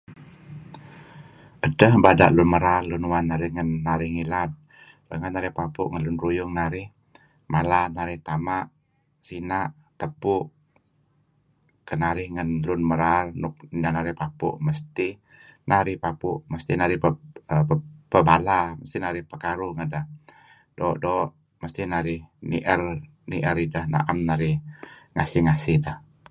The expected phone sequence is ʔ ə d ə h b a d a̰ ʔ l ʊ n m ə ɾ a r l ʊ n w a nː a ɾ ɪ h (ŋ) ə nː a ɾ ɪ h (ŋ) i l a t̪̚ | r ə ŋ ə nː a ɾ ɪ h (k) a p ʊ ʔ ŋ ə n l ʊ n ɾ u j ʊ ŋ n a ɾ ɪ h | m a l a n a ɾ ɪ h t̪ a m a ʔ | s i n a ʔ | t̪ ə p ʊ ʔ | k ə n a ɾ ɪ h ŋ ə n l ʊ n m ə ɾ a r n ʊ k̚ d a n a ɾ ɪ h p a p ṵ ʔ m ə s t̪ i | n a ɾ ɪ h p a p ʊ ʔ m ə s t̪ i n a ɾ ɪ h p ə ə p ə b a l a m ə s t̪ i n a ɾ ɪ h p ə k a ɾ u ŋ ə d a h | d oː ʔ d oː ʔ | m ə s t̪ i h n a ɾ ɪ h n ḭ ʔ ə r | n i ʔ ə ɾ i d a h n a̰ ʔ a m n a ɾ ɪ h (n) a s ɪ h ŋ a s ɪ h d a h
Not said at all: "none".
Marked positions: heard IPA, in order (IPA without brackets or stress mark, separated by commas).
ŋ, ŋ, p, ŋ